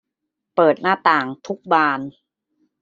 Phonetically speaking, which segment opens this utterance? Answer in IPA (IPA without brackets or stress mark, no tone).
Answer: p